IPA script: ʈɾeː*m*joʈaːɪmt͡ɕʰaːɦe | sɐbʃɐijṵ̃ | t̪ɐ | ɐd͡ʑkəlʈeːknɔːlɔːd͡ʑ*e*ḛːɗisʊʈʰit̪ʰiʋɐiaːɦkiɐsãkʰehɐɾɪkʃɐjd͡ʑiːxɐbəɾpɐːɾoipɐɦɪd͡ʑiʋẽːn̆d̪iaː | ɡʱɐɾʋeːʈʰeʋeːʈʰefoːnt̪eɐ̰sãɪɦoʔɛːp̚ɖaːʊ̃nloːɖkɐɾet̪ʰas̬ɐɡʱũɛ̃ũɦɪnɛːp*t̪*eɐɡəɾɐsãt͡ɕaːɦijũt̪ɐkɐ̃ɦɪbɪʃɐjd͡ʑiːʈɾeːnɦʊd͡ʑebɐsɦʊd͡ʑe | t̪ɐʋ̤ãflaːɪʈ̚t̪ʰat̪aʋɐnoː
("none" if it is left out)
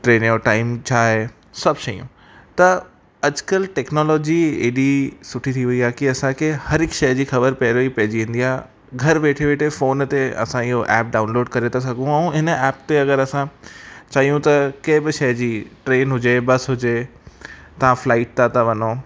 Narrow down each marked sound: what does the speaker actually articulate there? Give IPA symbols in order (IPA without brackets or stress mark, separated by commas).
n, i, t̪